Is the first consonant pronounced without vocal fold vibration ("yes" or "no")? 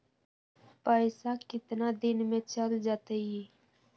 yes